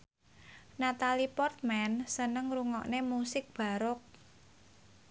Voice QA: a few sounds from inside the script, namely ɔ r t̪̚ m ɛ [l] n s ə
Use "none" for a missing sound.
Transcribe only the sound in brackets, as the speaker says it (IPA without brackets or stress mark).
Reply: none